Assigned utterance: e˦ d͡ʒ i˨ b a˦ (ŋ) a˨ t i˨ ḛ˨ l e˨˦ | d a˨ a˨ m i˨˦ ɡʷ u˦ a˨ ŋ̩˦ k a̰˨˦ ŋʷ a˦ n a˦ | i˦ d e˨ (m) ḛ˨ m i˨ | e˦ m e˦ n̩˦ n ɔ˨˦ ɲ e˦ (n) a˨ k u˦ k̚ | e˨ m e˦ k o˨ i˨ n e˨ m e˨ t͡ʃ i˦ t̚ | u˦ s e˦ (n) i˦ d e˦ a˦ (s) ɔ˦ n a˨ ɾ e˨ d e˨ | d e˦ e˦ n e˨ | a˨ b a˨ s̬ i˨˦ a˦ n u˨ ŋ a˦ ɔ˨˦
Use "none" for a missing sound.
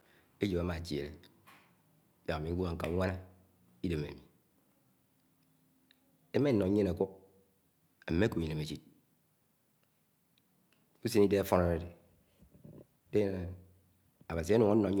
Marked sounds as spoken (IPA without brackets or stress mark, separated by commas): m, m, n, n, f